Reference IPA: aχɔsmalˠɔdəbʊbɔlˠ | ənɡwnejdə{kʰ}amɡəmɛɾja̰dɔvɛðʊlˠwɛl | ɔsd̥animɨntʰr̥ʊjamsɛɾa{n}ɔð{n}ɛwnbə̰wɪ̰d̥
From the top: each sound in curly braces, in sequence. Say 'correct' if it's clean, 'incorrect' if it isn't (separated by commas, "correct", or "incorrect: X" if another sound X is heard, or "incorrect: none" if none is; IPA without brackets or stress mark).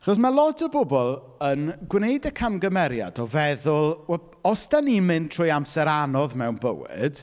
correct, correct, incorrect: m